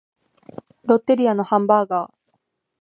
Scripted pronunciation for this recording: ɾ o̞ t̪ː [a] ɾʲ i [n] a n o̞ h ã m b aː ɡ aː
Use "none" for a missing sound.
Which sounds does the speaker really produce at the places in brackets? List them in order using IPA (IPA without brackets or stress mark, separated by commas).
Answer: e, none